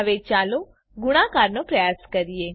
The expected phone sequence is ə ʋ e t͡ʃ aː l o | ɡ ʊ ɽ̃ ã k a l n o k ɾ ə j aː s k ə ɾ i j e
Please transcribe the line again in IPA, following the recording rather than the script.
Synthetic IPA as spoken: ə ʋ e t͡ʃ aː l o | ɡ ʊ ɽ̃ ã k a ɾ n o p ɾ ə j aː s k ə ɾ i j e